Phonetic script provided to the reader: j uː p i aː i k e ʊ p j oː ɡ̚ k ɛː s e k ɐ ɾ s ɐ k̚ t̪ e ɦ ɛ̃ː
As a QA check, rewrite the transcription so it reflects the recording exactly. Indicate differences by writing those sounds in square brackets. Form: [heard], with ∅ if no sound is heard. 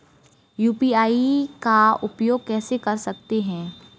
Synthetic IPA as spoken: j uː p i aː i k [a] ʊ p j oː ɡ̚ k ɛː s e k ɐ ɾ s ɐ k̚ t̪ e ɦ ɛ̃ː